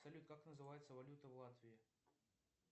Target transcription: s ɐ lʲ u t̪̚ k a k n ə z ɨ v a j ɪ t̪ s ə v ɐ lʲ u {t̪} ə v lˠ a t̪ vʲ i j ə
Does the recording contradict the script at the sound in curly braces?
no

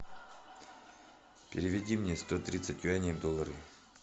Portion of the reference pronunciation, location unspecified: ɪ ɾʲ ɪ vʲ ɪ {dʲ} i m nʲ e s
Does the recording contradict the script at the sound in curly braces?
no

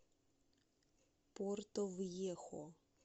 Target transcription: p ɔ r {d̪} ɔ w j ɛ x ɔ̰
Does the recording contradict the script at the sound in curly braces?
yes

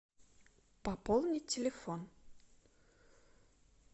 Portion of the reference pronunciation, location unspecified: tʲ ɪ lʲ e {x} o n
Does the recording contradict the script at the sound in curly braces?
yes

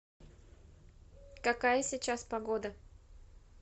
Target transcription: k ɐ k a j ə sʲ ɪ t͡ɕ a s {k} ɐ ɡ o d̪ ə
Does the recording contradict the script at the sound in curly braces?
yes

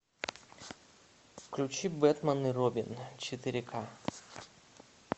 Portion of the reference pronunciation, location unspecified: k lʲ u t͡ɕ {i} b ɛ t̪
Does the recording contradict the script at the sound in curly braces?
no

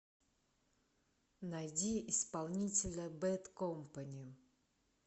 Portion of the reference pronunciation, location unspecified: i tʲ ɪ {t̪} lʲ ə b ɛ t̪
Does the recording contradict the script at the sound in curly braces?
yes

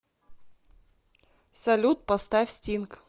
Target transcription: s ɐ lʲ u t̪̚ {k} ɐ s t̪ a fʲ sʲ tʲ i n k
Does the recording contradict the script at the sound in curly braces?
yes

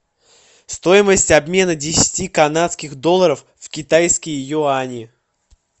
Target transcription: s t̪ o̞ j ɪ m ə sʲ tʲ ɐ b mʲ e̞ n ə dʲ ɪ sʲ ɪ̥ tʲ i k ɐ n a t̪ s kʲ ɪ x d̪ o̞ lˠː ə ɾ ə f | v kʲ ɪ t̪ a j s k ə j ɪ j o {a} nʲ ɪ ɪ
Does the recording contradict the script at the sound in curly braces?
no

